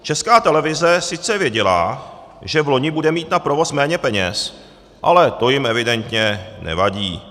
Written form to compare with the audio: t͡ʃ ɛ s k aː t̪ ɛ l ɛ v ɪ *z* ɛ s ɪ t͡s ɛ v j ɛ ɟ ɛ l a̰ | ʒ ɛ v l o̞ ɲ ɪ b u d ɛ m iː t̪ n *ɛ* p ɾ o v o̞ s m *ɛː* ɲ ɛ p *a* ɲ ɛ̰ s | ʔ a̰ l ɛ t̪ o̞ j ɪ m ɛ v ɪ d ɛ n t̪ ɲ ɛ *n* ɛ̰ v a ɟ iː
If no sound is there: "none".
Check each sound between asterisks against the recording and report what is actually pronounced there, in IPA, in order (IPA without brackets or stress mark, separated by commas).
z, a, ɛː, ɛ, n